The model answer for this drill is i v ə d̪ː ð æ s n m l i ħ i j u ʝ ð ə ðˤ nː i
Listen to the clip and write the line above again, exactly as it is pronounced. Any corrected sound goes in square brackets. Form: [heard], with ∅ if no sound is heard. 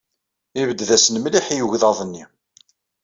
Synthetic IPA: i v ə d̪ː ð æ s n m l i ħ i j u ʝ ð [ɑ] ðˤ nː i